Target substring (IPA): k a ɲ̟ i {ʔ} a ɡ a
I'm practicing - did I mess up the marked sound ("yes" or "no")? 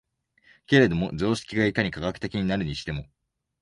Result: yes